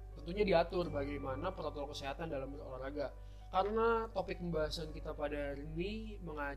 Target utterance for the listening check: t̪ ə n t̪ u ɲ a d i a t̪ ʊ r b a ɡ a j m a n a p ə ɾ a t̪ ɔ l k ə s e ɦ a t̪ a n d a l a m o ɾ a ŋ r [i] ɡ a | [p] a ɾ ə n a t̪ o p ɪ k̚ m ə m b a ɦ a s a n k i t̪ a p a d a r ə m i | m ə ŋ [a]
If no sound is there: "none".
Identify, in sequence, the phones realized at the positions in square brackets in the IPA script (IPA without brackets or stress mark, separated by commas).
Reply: a, k, a